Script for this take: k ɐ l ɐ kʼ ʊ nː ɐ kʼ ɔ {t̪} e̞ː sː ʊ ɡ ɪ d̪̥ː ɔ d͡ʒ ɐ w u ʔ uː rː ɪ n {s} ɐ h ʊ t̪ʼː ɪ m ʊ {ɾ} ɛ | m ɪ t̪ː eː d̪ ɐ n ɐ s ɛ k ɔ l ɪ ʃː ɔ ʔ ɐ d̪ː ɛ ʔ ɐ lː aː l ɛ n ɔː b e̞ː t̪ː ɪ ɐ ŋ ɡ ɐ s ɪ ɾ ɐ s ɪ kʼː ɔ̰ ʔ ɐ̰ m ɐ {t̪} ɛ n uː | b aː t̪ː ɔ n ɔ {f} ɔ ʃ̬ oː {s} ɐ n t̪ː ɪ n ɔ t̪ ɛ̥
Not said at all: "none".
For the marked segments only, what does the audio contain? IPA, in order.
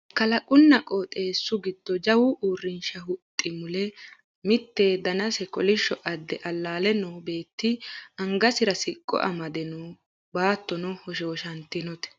t̪ʼ, ʃ, l, d̪, h, ʃ

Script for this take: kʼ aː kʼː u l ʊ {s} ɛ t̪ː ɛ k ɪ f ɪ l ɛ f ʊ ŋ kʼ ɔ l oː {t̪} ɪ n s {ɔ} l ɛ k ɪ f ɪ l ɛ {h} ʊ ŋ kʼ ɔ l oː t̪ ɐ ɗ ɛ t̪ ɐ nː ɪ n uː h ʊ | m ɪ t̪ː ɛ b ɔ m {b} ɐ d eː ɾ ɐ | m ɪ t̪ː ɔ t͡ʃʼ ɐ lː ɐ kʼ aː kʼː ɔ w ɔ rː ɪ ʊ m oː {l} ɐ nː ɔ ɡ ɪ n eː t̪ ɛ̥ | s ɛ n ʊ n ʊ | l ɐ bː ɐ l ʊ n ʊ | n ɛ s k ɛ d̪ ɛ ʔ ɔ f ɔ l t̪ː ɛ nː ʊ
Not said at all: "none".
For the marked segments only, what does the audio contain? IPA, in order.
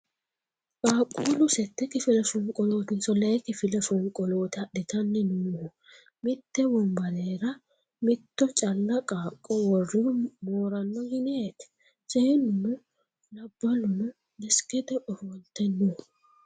s, t̪, ɔ, f, b, ɾ

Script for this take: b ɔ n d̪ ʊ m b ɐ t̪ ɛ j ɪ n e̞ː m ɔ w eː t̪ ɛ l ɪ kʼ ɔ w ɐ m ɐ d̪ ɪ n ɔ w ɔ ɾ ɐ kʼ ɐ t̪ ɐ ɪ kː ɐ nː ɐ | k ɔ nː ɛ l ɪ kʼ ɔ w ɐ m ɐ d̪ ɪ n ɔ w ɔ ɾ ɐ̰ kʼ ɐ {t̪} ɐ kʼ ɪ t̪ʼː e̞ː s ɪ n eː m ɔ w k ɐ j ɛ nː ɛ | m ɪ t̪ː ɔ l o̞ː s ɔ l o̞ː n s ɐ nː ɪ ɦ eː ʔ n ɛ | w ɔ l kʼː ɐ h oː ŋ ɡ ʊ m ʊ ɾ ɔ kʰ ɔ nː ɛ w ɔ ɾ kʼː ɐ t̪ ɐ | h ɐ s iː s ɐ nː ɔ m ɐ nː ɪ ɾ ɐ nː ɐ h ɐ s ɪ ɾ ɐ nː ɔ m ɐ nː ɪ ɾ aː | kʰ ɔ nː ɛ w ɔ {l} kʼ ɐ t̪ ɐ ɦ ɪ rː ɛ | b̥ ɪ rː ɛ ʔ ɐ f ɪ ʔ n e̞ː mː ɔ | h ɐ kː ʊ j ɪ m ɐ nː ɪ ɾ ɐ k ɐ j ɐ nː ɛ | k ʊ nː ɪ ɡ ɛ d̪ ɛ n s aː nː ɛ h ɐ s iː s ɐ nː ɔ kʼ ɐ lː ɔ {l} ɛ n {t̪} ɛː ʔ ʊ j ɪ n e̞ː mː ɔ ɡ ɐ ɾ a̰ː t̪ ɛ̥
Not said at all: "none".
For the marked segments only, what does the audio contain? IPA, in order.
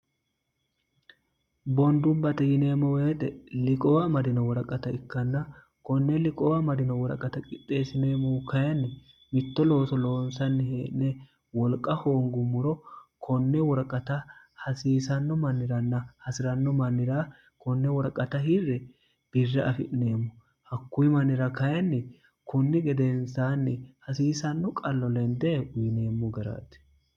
t̪, ɾ, l, d̪

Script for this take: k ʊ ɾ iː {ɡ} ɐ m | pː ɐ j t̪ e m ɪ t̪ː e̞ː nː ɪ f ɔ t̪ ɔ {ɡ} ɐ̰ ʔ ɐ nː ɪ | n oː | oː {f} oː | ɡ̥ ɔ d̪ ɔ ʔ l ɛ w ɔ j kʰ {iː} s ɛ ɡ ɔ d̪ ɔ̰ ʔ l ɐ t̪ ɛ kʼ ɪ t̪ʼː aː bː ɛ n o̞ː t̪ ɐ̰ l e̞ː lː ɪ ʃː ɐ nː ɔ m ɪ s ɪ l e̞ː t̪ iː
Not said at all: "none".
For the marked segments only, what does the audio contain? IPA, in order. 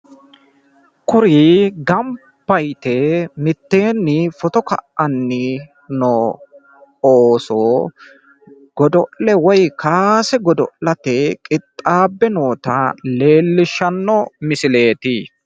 ɡ, k, s, aː

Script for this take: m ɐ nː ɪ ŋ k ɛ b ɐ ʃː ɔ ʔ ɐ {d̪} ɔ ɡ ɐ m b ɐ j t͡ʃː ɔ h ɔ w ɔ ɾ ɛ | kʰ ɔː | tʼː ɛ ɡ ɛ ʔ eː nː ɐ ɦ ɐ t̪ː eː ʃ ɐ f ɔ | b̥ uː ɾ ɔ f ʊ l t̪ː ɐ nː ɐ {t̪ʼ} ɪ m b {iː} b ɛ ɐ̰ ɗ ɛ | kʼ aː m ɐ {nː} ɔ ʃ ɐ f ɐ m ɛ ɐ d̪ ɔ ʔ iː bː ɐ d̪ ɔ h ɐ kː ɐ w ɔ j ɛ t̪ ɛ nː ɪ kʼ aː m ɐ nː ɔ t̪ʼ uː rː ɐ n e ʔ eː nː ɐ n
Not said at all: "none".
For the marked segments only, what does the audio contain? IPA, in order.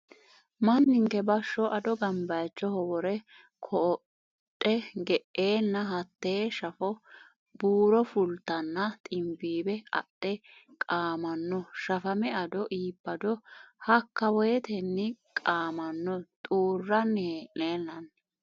d̪, t̪ʼ, iː, nː

